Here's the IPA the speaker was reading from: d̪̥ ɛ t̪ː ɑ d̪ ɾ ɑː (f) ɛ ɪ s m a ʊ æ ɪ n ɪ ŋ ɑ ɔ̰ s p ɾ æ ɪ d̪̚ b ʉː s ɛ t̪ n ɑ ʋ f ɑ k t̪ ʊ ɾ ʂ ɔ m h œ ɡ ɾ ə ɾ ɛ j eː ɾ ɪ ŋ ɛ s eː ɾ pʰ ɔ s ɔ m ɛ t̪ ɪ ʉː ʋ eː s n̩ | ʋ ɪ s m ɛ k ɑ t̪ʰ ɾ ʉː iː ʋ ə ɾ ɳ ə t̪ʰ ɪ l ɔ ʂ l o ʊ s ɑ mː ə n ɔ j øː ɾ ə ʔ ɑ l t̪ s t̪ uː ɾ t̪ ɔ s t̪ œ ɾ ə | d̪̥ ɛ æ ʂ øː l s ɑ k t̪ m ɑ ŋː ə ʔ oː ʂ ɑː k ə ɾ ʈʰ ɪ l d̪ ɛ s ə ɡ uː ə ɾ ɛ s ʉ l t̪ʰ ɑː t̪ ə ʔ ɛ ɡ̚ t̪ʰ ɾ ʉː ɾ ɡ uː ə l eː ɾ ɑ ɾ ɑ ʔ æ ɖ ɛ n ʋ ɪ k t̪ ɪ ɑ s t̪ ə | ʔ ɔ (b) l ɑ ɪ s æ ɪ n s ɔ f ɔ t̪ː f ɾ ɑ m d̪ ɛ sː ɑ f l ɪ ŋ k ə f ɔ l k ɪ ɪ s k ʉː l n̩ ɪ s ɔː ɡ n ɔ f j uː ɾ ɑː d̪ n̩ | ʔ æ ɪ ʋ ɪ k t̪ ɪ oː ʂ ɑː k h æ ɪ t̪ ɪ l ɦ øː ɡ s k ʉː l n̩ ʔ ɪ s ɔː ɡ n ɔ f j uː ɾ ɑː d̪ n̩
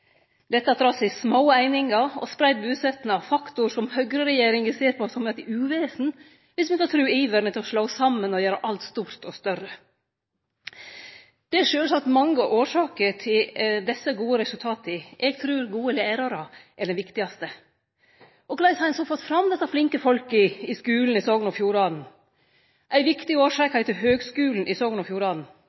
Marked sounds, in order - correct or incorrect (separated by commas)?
incorrect, incorrect